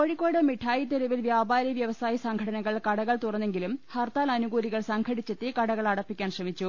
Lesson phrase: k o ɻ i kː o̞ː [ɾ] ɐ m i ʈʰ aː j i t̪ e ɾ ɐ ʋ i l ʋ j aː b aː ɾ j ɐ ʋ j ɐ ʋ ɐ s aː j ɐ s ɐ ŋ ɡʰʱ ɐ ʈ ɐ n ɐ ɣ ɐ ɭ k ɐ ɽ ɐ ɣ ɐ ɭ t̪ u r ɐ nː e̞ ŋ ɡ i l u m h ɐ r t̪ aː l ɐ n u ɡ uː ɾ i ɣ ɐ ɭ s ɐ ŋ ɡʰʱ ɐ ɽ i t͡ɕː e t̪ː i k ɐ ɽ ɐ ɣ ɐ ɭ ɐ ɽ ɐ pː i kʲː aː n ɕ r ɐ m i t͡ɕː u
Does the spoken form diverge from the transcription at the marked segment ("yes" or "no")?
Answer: yes